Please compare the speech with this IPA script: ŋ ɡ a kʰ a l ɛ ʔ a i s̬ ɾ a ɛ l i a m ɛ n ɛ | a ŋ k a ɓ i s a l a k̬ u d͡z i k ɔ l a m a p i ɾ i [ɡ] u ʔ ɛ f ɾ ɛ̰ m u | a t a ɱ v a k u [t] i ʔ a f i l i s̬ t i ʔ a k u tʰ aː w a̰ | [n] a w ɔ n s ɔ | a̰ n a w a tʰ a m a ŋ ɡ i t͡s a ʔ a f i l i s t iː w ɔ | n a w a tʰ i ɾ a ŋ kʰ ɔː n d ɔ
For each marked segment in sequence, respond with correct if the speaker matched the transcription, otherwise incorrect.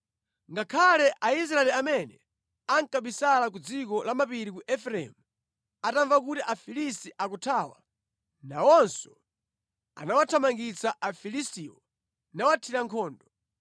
incorrect, correct, correct

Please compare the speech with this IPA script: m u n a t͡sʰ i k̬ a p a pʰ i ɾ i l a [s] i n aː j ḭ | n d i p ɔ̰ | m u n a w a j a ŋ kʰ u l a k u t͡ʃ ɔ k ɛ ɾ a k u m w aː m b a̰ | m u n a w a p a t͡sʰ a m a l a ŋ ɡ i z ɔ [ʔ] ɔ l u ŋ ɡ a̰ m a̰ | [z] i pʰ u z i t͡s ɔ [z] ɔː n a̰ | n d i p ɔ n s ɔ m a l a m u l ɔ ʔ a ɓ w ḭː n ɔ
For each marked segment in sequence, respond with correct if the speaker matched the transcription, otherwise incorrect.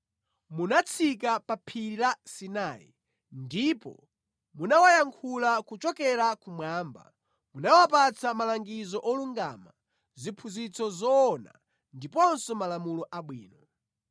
correct, correct, correct, correct

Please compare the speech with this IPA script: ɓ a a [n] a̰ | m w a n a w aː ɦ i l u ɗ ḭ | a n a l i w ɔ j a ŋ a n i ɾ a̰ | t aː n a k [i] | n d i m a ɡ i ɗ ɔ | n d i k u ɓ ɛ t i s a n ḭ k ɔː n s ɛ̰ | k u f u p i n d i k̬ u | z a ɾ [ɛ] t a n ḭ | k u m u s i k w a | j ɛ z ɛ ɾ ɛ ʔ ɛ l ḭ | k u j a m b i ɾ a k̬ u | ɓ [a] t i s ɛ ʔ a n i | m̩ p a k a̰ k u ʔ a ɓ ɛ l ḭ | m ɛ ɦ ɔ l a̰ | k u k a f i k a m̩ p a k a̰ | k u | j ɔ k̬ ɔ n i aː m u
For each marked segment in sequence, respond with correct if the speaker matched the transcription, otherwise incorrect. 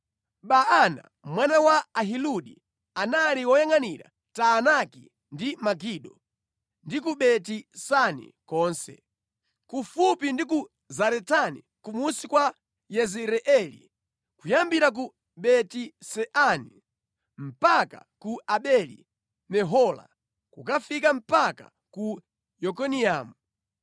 correct, correct, correct, incorrect

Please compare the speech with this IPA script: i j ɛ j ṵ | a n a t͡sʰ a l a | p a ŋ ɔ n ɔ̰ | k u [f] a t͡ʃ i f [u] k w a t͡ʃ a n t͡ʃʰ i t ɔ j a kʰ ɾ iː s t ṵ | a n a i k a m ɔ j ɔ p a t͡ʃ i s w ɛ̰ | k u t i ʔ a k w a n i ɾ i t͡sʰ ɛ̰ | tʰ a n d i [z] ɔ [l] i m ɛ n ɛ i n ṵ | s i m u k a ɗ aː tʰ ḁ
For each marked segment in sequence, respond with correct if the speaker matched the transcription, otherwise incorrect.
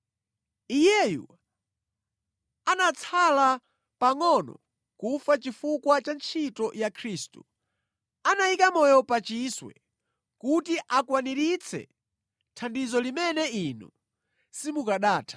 correct, correct, correct, correct

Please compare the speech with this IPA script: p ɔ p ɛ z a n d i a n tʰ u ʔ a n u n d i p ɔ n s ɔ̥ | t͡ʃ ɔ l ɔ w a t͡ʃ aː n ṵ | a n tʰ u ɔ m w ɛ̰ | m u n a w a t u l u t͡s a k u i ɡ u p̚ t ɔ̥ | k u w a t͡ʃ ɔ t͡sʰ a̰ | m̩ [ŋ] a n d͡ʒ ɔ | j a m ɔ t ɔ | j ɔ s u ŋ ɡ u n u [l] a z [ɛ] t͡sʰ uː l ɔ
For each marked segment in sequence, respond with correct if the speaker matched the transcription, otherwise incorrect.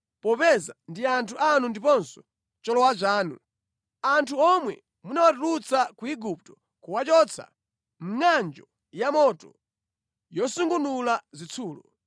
correct, correct, incorrect

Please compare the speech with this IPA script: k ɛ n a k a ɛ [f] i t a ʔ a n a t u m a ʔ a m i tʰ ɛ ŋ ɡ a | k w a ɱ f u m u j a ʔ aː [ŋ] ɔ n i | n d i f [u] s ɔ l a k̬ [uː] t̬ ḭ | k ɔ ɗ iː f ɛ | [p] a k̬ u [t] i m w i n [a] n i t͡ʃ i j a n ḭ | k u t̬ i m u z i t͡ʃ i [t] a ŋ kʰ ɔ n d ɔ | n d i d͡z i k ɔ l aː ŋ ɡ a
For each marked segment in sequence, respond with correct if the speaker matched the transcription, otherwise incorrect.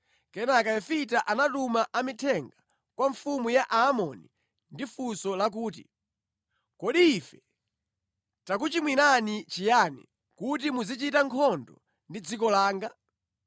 correct, incorrect, correct, correct, incorrect, incorrect, correct, correct

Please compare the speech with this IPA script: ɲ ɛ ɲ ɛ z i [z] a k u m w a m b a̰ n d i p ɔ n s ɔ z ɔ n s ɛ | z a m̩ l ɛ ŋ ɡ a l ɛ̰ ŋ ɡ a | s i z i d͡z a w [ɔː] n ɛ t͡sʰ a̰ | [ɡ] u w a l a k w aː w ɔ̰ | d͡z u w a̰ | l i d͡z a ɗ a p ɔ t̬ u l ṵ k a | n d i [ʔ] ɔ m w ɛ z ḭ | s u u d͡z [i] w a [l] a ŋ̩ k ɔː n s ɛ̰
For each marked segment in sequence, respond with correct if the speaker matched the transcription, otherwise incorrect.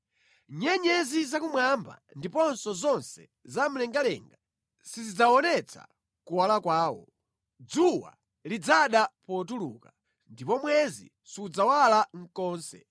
correct, incorrect, incorrect, incorrect, incorrect, correct

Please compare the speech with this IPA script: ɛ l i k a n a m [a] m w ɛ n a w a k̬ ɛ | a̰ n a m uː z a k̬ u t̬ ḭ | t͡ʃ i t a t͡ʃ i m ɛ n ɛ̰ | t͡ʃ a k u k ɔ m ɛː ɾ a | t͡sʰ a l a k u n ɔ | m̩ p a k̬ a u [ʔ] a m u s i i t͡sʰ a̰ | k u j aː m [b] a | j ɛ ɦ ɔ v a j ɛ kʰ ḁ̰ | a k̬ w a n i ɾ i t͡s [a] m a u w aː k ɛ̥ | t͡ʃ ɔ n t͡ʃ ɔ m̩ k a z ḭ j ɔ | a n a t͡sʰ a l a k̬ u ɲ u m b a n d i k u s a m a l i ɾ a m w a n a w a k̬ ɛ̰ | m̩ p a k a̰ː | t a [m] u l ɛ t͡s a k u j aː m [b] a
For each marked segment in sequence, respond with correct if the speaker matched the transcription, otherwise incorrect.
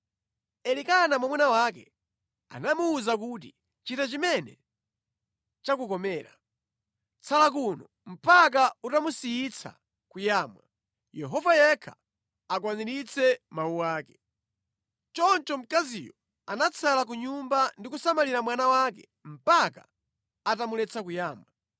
correct, incorrect, incorrect, incorrect, correct, incorrect

